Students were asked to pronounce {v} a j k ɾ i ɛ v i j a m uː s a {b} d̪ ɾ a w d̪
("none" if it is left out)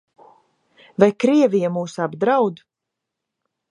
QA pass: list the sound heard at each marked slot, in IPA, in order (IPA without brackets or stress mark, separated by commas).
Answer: v, b